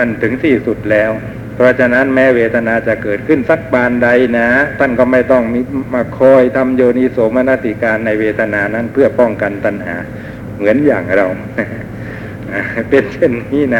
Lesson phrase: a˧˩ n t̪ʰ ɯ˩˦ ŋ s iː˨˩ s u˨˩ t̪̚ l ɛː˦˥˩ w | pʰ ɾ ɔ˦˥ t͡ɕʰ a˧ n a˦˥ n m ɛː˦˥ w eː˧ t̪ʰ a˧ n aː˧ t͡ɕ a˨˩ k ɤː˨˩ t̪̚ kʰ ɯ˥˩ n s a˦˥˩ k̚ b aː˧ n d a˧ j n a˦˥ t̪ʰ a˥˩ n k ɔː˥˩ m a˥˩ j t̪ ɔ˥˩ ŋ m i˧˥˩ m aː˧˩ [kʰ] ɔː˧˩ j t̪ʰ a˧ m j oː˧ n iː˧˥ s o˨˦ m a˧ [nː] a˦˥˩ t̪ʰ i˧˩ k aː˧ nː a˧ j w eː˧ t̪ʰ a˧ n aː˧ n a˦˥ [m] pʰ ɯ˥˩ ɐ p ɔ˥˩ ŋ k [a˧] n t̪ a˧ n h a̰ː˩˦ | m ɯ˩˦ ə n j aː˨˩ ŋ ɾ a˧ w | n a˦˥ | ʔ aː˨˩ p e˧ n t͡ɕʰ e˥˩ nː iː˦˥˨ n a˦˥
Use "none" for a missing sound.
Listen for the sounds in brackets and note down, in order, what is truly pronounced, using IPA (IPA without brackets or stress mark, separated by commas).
kʰ, n, n, a˧